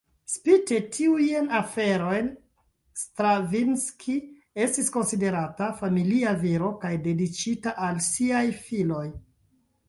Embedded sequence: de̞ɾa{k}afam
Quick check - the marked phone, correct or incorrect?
incorrect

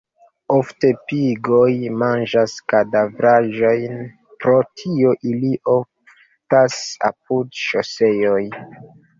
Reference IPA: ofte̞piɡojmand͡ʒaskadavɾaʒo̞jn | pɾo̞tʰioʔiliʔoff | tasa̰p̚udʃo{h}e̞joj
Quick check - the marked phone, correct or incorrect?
incorrect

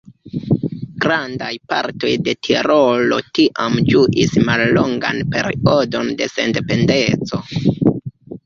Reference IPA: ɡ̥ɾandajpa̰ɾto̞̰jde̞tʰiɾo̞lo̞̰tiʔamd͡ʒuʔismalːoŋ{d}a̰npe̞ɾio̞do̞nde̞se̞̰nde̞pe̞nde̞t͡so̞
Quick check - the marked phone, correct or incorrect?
incorrect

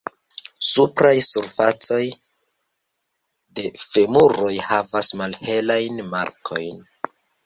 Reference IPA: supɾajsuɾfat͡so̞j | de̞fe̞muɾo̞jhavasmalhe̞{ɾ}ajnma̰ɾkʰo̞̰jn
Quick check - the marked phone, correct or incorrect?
incorrect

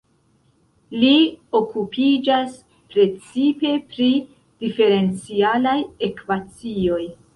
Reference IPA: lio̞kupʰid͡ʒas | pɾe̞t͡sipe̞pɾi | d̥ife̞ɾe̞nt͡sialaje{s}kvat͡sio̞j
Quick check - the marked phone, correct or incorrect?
incorrect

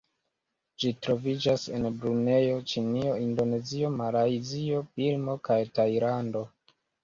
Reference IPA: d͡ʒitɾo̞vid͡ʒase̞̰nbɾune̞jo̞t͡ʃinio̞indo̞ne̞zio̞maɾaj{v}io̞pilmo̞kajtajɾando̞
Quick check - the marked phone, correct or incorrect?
incorrect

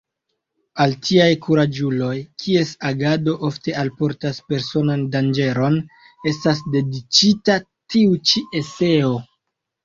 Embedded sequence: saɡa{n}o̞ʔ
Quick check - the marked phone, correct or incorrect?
incorrect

